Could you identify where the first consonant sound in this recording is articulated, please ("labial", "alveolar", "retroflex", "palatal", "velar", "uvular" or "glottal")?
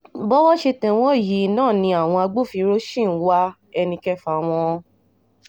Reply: labial